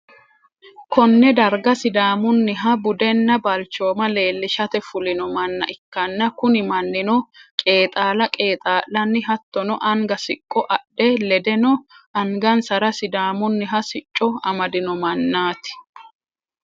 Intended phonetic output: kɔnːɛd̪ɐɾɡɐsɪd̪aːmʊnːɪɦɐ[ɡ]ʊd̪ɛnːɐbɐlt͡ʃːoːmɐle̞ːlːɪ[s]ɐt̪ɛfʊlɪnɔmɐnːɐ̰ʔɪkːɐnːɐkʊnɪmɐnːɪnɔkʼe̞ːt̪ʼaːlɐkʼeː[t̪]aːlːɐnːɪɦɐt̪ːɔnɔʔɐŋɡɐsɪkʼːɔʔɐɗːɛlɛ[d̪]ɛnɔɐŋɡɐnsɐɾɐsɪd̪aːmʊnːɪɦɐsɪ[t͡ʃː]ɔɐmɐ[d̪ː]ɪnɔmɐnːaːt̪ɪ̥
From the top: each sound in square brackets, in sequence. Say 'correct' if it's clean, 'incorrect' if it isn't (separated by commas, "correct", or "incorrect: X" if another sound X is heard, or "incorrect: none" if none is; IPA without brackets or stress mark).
incorrect: b, incorrect: ʃ, incorrect: t̪ʼ, correct, incorrect: t͡ʃʼː, incorrect: d̪